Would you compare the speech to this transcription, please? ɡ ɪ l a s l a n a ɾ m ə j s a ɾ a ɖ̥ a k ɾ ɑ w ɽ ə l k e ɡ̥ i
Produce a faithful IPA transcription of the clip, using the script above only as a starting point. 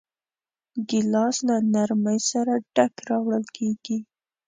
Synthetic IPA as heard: ɡ ɪ l ɑ s l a n a ɾ m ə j s a ɾ a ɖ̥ a k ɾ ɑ w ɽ ə l k e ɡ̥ i